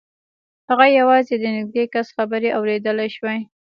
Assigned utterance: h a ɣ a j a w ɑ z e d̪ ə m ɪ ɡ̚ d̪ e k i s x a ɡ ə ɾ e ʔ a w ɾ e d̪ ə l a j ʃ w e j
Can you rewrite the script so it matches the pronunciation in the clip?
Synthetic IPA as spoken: h a ɣ a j a w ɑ z e d̪ ə n ɪ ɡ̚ d̪ e k a s x a b ə ɾ e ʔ a w ɾ e d̪ ə l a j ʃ w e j

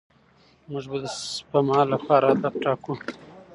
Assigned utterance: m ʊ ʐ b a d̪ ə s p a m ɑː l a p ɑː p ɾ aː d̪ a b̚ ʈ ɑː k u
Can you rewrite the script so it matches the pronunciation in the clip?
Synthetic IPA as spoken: m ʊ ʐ b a d̪ ə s p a m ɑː l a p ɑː ɾ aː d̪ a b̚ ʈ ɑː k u

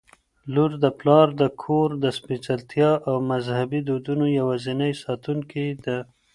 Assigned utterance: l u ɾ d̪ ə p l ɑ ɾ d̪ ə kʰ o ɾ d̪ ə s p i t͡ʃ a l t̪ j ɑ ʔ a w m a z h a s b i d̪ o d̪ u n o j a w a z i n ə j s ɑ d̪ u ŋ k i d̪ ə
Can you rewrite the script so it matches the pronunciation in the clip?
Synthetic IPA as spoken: l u ɾ d̪ ə p l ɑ ɾ d̪ ə kʰ o ɾ d̪ ə s p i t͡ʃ a l t̪ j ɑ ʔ a w m a z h a b i d̪ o d̪ u n o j a w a z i n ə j s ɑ t̪ u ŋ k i d̪ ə

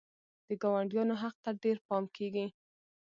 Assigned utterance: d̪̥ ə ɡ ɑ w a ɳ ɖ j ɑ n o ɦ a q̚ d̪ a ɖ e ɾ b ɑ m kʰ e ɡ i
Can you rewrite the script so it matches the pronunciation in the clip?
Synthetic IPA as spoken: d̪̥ ə ɡ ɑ w a ɳ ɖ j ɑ n o ɦ a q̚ t̪ a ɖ e ɾ p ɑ m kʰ e ɡ i

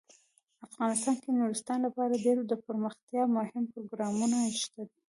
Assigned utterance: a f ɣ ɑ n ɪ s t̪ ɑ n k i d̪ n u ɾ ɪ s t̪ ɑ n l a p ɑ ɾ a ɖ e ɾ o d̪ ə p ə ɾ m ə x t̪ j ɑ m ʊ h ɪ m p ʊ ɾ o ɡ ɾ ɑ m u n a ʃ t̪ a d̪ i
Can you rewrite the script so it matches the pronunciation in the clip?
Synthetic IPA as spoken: a f ɣ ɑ n ɪ s t̪ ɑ n k e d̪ n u ɾ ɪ s t̪ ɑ n l a p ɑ ɾ a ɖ e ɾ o d̪ ə p ə ɾ m ə x t̪ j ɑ m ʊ h ɪ m p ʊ ɾ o ɡ ɾ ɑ m u n a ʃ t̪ a d̪ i

